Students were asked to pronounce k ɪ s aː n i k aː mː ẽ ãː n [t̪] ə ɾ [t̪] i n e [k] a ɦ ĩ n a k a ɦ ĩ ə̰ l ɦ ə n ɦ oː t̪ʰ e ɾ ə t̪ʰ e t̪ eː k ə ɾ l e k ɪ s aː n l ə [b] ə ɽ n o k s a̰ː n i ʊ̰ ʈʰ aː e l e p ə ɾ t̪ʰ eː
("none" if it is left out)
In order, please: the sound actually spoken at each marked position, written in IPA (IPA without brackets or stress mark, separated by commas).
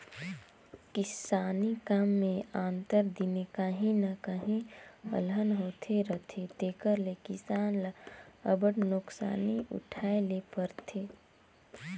t̪, d̪, k, b